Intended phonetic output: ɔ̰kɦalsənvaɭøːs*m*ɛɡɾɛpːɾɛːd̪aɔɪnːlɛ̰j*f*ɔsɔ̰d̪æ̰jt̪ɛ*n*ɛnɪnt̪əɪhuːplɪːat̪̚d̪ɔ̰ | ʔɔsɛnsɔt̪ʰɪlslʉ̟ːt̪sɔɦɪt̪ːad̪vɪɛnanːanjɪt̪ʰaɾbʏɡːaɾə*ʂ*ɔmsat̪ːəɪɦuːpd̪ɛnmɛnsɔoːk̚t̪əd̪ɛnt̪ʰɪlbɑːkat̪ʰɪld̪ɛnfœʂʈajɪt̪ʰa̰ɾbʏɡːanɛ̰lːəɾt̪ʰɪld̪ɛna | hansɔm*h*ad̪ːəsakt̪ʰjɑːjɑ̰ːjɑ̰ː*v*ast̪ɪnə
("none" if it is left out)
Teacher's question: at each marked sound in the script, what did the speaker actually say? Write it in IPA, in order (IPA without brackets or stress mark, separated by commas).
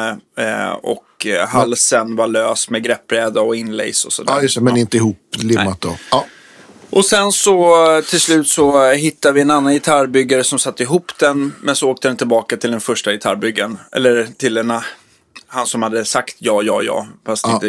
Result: m, s, m, s, h, f